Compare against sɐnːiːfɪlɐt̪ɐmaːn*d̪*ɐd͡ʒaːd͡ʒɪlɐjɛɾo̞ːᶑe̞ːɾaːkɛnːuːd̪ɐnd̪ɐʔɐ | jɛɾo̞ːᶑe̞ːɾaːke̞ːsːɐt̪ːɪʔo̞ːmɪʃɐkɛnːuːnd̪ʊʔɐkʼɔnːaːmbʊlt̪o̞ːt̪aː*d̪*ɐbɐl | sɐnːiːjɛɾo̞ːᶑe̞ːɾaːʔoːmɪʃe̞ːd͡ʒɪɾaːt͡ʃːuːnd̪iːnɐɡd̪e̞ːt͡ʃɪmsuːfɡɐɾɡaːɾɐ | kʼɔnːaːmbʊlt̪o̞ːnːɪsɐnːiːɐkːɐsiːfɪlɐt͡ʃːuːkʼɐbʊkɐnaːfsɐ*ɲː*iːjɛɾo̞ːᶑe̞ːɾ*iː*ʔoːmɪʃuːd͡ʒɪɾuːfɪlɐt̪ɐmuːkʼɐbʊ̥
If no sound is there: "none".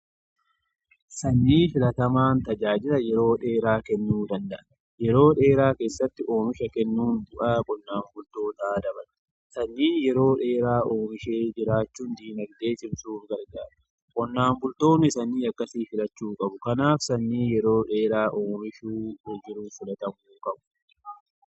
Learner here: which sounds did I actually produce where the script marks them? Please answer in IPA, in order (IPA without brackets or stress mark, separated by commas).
t̪, d̪, nː, aː